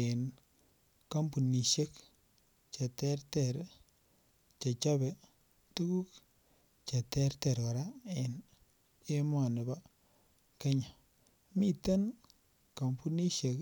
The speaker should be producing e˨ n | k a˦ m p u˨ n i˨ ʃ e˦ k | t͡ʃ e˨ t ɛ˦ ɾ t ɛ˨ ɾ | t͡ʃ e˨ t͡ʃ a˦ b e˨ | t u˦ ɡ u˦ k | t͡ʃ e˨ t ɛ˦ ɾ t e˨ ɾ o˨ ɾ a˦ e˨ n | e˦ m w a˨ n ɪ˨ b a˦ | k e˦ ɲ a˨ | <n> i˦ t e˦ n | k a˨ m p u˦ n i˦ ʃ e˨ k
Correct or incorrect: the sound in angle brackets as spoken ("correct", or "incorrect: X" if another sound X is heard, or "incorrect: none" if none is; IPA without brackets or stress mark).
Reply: incorrect: m